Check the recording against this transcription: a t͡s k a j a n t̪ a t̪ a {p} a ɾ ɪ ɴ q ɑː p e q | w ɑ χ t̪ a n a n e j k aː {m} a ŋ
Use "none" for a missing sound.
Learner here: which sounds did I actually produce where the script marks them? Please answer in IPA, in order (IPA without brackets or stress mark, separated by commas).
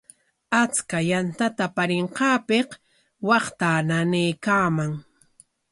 p, m